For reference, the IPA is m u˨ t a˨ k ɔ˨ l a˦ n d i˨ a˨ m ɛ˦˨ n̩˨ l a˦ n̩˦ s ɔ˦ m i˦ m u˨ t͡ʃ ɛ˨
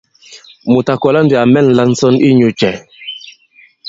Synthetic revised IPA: m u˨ t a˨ k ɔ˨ l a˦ n d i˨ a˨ m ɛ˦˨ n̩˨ l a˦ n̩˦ s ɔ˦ n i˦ ɲ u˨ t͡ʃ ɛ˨